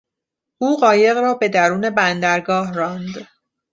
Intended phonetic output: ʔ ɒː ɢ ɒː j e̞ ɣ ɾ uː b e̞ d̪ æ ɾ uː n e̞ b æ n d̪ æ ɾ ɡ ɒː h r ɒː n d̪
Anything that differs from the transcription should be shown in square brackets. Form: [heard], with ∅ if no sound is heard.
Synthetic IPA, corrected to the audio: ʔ [uː] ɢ ɒː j e̞ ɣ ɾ [ɒː] b e̞ d̪ æ ɾ uː n e̞ b æ n d̪ æ ɾ ɡ ɒː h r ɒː n d̪